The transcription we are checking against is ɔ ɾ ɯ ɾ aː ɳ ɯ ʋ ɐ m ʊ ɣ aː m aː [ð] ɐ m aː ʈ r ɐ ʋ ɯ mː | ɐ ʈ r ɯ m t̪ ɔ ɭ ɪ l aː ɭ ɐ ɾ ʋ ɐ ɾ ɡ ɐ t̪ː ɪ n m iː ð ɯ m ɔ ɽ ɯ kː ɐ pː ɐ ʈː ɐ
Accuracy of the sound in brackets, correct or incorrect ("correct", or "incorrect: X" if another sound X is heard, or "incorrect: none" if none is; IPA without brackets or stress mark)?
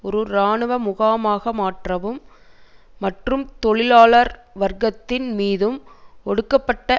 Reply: incorrect: ɣ